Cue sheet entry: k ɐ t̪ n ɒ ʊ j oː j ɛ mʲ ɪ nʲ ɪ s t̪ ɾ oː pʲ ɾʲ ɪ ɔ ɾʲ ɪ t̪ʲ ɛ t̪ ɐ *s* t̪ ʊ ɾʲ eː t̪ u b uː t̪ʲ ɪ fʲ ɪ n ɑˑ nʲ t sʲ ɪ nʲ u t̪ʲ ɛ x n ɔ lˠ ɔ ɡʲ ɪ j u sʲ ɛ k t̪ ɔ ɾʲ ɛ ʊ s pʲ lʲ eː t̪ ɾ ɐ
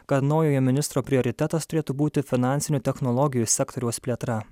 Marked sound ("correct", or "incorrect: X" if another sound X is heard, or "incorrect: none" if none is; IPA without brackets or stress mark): correct